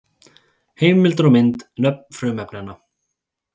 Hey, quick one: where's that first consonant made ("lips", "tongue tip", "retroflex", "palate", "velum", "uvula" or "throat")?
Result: throat